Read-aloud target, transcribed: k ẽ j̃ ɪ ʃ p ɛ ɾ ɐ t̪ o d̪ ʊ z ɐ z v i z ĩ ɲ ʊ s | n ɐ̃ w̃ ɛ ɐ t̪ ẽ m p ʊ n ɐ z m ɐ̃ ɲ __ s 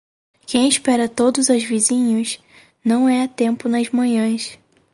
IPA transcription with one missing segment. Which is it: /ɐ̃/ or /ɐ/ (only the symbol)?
ɐ̃